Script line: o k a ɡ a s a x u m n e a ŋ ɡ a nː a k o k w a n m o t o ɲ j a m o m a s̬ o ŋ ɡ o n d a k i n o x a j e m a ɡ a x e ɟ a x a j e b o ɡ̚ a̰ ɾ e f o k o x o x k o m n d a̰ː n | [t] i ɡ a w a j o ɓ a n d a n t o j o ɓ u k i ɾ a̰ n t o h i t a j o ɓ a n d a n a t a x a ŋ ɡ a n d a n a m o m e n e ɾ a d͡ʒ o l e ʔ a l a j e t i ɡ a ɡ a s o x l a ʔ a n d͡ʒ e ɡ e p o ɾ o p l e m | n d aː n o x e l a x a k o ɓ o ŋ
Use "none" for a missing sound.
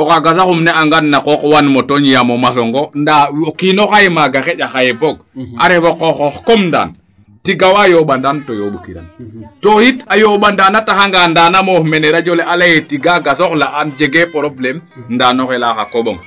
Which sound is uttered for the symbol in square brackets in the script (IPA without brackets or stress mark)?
t